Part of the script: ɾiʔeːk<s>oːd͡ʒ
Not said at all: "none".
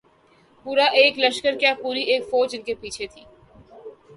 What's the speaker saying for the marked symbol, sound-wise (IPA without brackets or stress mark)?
f